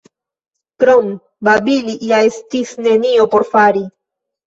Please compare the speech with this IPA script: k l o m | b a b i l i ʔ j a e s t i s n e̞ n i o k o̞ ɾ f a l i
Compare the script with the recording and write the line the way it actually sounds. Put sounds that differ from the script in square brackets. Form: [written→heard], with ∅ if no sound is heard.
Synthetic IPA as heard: k [l→ɾ] o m | b a b i l i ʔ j a e s t i s n e̞ n i o [k→p] o̞ ɾ f a [l→ɾ] i